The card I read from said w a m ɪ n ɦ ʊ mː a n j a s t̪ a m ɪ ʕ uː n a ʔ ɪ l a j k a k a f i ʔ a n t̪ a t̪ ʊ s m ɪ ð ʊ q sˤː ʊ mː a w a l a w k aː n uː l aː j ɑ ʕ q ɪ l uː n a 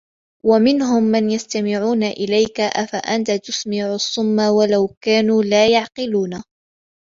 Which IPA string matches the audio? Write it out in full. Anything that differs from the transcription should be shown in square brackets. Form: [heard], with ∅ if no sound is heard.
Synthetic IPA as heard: w a m ɪ n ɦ ʊ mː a n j a s t̪ a m ɪ ʕ uː n a ʔ ɪ l a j k a [ʔ] a f [a] ʔ a n t̪ a t̪ ʊ s m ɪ [ʕ] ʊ [∅] sˤː ʊ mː a w a l a w k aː n uː l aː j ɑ ʕ q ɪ l uː n a